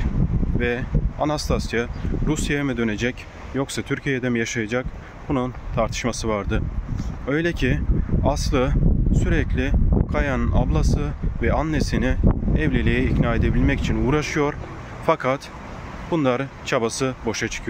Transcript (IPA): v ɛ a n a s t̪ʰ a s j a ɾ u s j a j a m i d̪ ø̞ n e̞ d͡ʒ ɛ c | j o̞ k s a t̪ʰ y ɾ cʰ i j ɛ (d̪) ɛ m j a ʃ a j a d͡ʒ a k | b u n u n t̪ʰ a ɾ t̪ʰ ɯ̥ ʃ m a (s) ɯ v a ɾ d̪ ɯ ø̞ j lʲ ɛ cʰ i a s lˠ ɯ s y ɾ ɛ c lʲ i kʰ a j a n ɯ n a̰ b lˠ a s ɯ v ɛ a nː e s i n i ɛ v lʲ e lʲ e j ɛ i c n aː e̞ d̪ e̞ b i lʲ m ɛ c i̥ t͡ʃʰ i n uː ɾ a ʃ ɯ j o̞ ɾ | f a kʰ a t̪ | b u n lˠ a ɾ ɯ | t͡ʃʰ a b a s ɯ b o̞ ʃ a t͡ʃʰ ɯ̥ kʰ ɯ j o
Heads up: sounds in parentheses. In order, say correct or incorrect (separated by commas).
correct, correct